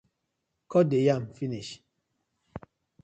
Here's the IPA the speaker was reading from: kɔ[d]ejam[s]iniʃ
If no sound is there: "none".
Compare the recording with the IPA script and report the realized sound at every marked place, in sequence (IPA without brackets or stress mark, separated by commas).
d, f